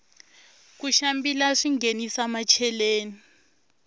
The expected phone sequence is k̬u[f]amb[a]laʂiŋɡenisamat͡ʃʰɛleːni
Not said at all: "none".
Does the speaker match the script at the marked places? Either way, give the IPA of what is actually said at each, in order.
ʃ, i

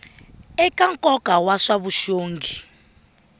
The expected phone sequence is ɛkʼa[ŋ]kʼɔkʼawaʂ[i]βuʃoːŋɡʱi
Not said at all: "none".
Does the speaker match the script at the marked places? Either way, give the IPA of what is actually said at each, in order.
ŋ, a

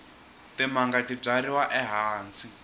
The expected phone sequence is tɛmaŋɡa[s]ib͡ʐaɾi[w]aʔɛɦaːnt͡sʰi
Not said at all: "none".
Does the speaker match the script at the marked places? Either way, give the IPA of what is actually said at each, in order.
t, w

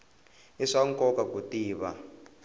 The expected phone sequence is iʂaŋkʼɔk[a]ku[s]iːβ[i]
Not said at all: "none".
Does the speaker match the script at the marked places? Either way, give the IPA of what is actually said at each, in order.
a, t, a

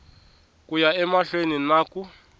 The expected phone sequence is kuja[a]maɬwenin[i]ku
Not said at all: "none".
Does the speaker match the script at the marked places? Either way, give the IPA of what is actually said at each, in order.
ɛ, a

